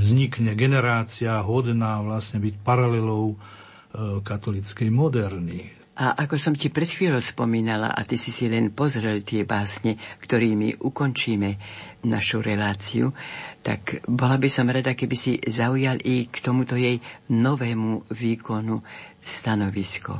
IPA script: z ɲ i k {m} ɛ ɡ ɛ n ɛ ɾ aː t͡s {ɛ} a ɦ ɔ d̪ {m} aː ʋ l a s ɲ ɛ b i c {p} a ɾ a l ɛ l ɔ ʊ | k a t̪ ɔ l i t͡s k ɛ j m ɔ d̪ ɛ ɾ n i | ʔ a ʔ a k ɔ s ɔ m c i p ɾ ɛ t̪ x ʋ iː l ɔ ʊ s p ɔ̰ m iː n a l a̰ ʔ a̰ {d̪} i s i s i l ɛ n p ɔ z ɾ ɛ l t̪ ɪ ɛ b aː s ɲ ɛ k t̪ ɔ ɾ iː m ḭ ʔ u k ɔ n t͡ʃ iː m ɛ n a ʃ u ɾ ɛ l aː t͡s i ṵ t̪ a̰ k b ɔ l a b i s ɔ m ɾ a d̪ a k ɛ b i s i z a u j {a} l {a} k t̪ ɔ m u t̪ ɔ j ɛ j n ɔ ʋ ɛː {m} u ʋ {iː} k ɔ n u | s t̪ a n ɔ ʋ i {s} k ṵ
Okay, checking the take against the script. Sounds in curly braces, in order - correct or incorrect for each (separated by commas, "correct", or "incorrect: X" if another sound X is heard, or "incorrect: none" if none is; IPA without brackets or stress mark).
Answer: incorrect: ɲ, incorrect: i, incorrect: n, correct, incorrect: t̪, correct, incorrect: i, correct, correct, correct